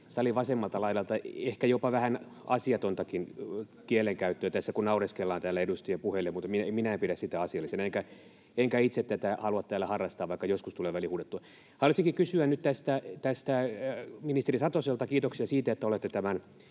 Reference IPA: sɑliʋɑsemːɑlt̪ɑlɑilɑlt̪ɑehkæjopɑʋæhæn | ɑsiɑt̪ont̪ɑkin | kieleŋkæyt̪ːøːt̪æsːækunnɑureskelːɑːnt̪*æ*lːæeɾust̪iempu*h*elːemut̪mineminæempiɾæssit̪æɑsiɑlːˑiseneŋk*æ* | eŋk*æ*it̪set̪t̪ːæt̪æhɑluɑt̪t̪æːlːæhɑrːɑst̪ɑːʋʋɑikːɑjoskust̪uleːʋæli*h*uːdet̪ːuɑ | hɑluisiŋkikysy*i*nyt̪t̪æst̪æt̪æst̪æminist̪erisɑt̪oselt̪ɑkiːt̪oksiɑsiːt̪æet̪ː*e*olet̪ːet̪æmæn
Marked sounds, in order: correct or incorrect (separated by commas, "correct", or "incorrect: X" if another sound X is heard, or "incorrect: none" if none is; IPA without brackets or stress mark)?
incorrect: æː, correct, correct, correct, correct, incorrect: æ, incorrect: æ